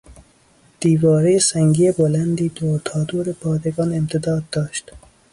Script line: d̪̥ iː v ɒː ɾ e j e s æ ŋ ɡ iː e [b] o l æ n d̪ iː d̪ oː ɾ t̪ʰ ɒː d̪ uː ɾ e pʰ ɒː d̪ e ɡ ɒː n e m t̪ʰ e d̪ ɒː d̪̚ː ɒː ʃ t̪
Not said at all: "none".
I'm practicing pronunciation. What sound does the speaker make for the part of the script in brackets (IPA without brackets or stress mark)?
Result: b